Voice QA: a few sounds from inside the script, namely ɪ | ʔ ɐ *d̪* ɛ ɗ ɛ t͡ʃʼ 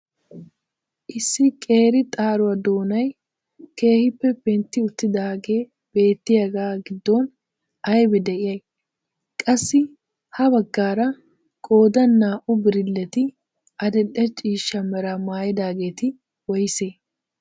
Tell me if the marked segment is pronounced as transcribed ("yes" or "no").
yes